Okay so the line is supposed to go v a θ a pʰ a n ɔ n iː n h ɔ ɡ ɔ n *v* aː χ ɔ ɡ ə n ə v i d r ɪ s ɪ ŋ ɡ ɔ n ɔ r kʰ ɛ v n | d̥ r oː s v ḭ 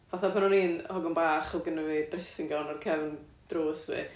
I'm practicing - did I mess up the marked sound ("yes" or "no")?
yes